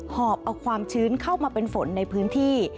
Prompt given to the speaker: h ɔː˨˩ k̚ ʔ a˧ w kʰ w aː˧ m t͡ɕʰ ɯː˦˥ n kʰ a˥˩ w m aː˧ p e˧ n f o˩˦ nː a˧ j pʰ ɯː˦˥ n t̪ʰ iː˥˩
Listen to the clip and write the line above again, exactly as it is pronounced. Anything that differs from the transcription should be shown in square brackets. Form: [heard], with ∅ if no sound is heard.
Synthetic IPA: h ɔː˨˩ [p̚] ʔ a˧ w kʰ w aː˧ m t͡ɕʰ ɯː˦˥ n kʰ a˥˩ w m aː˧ p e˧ n f o˩˦ nː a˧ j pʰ ɯː˦˥ n t̪ʰ iː˥˩